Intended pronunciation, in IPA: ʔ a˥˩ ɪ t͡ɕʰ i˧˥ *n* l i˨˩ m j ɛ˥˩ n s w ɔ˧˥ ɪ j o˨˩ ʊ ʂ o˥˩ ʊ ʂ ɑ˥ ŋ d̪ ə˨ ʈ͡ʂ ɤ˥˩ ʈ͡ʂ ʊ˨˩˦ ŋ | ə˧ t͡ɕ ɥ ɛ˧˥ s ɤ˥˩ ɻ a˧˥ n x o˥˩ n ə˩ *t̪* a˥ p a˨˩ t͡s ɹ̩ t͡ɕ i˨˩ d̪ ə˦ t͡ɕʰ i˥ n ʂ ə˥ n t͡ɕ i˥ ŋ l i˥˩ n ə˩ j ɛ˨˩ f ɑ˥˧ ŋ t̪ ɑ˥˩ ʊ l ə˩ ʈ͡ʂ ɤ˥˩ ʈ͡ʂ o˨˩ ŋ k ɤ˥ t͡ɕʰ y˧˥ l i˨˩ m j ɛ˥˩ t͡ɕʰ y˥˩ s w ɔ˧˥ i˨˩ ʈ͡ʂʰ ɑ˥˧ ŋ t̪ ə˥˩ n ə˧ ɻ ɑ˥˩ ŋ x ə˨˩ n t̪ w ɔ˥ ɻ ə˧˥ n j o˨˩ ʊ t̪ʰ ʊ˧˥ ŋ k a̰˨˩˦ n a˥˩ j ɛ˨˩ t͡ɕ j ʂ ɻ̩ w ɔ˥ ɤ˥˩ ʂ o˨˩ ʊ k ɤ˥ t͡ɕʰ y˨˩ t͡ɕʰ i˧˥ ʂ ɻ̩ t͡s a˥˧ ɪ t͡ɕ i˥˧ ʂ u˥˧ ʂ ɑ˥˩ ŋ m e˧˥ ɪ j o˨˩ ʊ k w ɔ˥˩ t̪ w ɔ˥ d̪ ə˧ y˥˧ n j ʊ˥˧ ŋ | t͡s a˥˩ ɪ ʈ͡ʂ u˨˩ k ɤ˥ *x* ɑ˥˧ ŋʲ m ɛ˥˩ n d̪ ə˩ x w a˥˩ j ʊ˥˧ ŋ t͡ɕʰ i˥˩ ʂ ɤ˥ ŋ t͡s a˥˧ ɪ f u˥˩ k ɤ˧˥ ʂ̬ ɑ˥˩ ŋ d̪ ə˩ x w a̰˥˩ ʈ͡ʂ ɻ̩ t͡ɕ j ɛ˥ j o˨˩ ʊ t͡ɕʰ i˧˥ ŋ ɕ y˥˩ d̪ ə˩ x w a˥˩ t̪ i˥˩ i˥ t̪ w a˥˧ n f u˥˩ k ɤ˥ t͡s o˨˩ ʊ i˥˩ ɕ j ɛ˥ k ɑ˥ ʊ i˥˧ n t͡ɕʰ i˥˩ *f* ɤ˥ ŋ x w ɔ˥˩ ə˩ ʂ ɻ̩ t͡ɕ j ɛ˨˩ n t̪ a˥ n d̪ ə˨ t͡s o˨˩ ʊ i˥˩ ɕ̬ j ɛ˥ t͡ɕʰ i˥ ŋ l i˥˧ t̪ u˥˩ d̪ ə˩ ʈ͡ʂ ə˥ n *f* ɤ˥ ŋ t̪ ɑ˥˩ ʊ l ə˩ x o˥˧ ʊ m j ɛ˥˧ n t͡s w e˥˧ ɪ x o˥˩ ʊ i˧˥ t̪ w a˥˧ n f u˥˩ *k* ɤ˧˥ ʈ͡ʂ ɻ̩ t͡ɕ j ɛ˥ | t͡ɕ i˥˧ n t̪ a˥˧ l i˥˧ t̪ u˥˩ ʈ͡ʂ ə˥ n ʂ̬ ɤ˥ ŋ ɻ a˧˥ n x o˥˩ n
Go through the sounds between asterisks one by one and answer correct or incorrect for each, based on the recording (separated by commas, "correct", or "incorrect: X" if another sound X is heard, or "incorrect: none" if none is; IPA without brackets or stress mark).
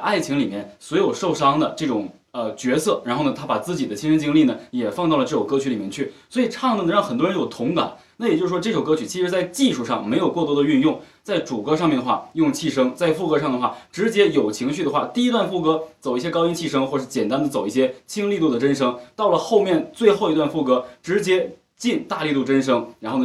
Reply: incorrect: ŋ, incorrect: t̪ʰ, incorrect: ʂ, incorrect: ʂ, incorrect: ʂ, correct